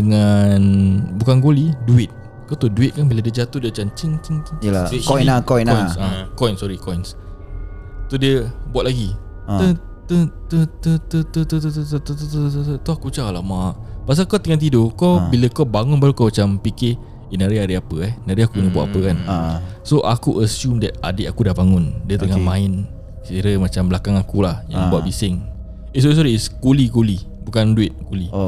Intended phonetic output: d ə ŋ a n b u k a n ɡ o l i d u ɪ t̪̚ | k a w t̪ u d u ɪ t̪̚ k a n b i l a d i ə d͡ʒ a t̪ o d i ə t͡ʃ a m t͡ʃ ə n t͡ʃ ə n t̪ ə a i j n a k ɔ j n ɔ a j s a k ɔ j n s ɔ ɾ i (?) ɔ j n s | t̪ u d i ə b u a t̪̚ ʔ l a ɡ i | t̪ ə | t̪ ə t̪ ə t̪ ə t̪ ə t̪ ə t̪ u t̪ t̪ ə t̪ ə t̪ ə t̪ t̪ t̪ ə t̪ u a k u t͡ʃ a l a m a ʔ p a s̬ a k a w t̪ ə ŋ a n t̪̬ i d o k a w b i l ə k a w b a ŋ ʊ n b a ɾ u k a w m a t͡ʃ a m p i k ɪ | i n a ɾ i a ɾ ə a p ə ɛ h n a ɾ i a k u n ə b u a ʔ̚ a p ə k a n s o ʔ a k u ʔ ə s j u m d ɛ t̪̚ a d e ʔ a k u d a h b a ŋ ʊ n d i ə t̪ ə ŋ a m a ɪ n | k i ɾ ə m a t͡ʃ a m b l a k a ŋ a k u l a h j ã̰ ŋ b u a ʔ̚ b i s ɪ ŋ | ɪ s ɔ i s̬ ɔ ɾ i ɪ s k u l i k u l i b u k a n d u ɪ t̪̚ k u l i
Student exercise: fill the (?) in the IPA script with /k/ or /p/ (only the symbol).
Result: k